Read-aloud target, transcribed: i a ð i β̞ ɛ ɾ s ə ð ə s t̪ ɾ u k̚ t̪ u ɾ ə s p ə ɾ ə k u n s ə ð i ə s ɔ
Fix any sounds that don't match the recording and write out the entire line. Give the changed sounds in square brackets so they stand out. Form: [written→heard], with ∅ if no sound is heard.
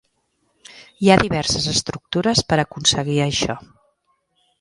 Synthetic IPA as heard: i a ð i β̞ ɛ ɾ s ə [ð→z] ə s t̪ ɾ u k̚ t̪ u ɾ ə s p ə ɾ ə k u n s ə [ð→ɣ] i ə [s→ʃ] ɔ